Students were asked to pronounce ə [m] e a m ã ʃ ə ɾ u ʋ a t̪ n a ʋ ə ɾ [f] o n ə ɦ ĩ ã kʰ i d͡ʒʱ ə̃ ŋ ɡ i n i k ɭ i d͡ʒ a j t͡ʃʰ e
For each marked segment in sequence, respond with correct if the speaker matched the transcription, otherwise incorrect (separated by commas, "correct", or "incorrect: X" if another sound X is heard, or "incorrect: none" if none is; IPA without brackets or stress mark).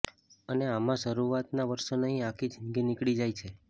incorrect: n, incorrect: ʃ